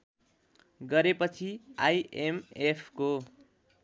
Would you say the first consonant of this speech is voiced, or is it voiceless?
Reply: voiced